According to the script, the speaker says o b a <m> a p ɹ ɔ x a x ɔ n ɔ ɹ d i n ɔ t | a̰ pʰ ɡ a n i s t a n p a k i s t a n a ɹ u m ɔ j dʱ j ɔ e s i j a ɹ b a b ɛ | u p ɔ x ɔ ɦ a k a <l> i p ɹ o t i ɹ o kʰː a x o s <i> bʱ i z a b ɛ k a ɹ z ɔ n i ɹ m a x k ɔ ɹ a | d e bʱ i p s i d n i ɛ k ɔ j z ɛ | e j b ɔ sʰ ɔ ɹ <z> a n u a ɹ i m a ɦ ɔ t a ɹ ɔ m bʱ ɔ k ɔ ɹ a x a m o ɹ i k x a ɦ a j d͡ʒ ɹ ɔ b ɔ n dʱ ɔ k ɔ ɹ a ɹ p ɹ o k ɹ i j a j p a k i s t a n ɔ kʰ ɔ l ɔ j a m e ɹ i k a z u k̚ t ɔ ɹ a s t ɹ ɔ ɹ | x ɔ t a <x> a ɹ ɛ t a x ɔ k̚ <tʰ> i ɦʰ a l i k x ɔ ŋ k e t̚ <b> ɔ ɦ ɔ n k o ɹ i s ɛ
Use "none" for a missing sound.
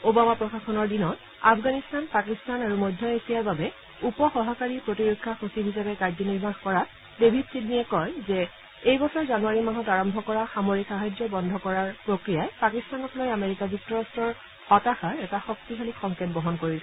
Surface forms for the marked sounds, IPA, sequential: m, ɹ, i, z, x, t, b

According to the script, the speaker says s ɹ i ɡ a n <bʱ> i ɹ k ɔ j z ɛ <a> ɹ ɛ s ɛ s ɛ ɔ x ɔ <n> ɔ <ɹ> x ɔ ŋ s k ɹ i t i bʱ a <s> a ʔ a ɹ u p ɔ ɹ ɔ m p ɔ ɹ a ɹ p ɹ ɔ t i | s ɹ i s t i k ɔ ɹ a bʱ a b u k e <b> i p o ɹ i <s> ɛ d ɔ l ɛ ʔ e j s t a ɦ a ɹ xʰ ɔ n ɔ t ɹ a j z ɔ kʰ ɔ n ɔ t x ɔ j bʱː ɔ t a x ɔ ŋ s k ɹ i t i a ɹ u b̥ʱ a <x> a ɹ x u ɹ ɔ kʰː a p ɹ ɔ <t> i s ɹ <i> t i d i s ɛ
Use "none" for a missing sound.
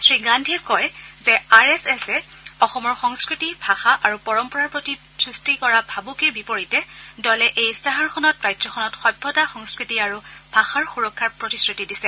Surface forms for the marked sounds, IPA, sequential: dʱ, a, m, ɹ, x, b, t, x, t, i

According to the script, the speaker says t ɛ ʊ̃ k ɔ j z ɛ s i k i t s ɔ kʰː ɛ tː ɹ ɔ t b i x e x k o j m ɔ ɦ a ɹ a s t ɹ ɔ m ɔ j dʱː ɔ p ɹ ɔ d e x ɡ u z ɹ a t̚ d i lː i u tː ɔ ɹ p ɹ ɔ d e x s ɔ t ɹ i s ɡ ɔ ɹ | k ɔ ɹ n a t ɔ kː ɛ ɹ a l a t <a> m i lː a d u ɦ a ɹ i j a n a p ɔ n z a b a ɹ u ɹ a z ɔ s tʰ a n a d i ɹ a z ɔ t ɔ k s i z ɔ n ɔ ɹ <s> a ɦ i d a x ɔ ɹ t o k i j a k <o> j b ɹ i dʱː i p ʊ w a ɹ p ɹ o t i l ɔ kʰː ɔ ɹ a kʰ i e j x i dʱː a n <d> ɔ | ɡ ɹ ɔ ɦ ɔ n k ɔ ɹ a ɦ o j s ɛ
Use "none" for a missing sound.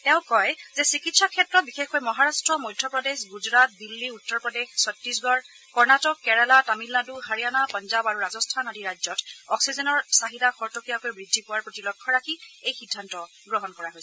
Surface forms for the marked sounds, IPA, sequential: a, s, o, t

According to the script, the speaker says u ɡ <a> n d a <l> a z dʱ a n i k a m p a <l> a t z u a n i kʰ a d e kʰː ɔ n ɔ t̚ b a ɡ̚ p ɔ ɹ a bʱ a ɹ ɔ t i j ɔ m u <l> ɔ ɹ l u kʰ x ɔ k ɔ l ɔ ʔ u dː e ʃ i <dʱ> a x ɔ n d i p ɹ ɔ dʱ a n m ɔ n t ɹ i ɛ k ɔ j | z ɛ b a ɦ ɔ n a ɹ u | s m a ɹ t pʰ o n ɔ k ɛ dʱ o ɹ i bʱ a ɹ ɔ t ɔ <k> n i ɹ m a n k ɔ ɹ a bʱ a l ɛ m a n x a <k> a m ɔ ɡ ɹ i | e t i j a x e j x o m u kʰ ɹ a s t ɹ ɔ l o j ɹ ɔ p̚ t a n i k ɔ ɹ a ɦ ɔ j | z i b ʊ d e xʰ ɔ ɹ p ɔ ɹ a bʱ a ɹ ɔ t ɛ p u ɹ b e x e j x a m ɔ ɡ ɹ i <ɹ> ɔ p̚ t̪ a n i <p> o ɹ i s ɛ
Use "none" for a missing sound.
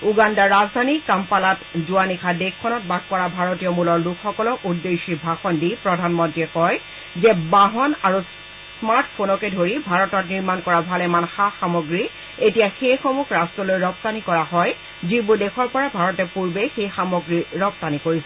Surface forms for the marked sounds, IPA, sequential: a, ɹ, l, l, bʱ, t, x, ɹ, k

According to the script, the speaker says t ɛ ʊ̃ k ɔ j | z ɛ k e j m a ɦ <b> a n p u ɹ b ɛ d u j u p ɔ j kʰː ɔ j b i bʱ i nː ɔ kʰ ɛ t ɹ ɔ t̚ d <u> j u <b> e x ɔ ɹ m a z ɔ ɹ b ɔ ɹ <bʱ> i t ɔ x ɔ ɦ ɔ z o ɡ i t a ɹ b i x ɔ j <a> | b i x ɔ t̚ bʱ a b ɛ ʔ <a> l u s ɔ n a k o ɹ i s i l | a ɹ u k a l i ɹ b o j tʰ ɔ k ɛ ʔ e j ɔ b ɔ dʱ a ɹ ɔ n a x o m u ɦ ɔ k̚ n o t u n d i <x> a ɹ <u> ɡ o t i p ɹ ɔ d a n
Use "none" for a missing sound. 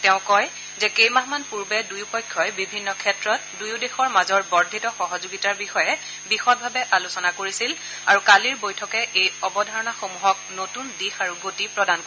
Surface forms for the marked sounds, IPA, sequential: m, u, d, dʱ, ɛ, a, x, u

